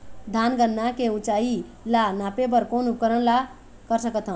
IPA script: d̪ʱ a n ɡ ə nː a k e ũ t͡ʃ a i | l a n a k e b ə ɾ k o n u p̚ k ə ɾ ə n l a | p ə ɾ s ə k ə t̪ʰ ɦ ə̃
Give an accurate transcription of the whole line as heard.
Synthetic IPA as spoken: d̪ʱ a n ɡ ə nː a k e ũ t͡ʃ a i | l a n a p e b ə ɾ k o n u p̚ k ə ɾ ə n l a | k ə ɾ s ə k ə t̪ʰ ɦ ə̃